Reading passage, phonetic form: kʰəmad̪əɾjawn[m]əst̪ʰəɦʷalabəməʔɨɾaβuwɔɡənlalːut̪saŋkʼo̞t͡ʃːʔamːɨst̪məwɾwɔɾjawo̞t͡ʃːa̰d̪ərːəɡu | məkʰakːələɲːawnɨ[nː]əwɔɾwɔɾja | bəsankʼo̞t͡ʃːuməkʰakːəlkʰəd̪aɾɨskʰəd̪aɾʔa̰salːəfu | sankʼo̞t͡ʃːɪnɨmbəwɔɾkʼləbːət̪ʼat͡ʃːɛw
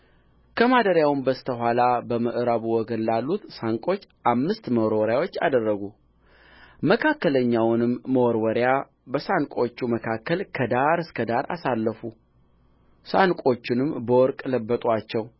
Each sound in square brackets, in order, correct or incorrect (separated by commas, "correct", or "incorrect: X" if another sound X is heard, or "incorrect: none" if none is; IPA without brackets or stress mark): incorrect: b, incorrect: mː